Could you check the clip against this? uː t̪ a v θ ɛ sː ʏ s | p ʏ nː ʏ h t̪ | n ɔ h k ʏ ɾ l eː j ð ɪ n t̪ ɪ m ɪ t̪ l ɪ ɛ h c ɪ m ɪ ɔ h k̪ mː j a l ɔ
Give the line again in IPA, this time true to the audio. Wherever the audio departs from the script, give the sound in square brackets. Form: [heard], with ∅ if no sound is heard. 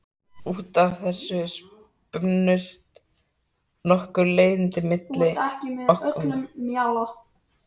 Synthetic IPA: uː t̪ a v θ ɛ sː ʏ s | p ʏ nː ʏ [s] t̪ | n ɔ h k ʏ ɾ l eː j ð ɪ n t̪ ɪ m ɪ t̪ l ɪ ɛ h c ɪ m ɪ ɔ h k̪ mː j a l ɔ